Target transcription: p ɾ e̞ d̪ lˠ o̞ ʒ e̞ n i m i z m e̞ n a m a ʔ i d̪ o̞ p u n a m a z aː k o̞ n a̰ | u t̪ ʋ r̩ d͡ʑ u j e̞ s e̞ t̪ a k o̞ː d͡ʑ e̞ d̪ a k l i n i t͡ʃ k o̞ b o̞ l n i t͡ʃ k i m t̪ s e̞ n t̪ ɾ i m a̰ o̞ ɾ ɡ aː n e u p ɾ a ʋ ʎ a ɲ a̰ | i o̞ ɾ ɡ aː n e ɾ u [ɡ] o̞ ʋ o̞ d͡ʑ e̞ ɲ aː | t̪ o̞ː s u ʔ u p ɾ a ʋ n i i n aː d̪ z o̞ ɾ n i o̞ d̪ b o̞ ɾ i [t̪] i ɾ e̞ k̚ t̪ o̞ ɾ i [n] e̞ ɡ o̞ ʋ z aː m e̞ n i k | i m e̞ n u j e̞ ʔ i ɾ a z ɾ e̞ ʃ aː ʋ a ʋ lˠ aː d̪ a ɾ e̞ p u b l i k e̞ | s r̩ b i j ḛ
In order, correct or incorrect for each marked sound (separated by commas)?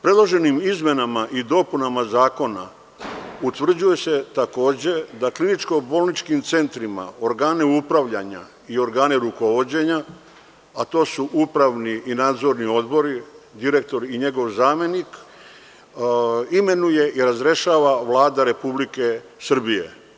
incorrect, incorrect, incorrect